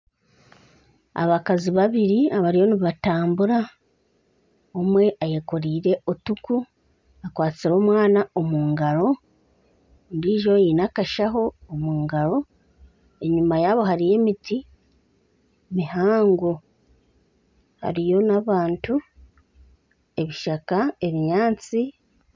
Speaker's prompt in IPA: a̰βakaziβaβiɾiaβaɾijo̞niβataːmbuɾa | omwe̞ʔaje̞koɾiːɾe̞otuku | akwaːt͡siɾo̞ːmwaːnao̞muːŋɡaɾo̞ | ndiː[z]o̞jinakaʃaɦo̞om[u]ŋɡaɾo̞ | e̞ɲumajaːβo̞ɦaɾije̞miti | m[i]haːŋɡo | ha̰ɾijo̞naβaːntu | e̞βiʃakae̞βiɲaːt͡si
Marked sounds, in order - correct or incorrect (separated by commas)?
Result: incorrect, incorrect, correct